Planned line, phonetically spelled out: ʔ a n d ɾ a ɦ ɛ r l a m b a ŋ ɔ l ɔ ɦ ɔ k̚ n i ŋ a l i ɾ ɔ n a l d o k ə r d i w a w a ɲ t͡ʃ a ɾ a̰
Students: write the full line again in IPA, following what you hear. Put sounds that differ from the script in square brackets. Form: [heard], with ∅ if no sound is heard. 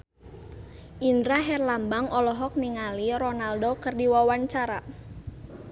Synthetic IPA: ʔ [i] n d ɾ a ɦ ɛ r l a m b a ŋ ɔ l ɔ ɦ ɔ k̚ n i ŋ a l i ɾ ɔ n a l d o k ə r d i w a w a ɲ t͡ʃ a ɾ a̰